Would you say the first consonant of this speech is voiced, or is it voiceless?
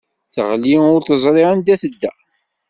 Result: voiceless